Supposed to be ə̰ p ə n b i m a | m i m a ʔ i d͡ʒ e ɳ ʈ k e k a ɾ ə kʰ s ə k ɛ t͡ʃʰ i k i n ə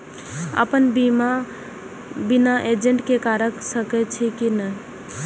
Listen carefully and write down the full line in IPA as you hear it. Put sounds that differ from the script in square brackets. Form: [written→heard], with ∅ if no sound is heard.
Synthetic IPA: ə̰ p ə n b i m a | [m→b] i [m→n] a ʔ [i→e] d͡ʒ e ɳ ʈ k e k a ɾ ə [kʰ→k] s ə k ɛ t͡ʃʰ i k i n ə